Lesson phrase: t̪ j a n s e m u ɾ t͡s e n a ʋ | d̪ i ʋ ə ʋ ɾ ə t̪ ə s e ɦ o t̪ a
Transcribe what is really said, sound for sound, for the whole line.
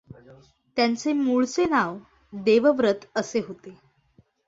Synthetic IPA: t̪ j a n t͡s e m u ɭ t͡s e n a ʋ | d̪ e ʋ ə ʋ ɾ ə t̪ ə s e ɦ o t̪ e